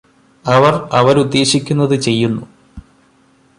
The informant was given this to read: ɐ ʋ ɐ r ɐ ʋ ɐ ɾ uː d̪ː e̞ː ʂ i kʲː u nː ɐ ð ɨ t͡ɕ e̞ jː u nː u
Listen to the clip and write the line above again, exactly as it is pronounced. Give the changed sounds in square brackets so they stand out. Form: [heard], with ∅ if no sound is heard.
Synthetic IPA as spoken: ɐ ʋ ɐ r ɐ ʋ ɐ ɾ [u] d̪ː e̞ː [ɕ] i kʲː u nː ɐ ð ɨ t͡ɕ e̞ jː u nː u